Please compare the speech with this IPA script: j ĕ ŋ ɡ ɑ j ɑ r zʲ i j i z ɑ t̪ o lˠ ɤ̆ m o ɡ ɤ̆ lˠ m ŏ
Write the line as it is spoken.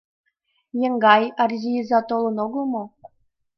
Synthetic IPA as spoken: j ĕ ŋ ɡ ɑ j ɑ r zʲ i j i z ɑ t̪ o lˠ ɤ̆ n o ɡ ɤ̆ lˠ m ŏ